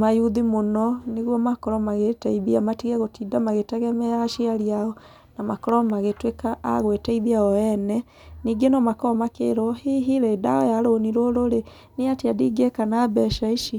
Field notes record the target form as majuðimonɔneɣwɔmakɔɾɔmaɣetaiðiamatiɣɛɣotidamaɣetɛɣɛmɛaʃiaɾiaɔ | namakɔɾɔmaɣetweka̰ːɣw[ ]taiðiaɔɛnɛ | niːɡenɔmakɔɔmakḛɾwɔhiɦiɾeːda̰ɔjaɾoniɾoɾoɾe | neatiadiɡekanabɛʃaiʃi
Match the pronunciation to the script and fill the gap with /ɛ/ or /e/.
e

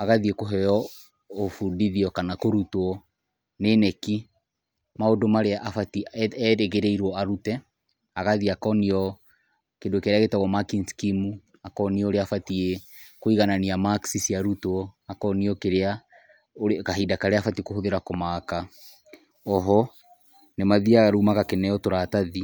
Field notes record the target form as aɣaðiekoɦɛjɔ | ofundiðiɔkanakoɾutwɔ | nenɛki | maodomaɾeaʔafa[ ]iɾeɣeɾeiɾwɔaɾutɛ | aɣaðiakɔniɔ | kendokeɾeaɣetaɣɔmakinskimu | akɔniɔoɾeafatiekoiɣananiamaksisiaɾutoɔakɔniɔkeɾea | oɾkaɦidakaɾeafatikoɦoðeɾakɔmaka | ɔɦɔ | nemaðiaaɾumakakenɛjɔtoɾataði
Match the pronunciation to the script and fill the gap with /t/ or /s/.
t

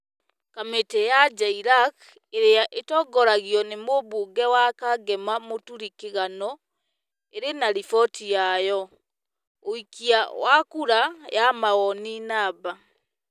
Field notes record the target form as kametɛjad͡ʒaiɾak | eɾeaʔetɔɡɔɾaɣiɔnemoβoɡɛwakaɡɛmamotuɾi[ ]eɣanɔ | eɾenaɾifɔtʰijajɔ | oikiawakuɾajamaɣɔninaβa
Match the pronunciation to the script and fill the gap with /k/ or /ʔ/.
k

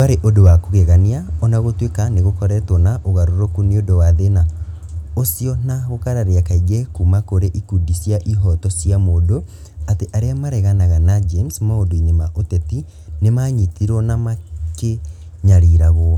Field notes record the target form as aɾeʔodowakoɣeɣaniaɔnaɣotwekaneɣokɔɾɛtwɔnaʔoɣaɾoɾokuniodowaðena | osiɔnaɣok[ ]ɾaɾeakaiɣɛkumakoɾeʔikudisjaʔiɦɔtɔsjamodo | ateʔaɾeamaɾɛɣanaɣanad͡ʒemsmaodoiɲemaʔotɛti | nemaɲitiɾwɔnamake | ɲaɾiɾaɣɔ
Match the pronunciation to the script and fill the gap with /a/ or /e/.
a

